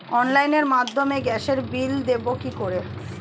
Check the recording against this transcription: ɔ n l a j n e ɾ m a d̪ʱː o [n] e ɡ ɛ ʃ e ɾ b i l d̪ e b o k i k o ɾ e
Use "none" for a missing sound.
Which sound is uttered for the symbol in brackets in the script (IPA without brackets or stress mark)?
m